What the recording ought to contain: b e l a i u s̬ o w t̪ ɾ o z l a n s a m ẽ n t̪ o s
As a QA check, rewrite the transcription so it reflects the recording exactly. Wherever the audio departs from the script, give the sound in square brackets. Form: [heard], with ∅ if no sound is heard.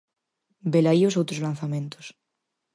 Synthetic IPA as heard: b e l a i [o] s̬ o w t̪ ɾ o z l a n [θ] a m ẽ n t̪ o s